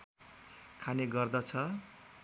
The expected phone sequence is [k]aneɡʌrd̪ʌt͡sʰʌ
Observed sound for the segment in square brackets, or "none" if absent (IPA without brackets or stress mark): kʰ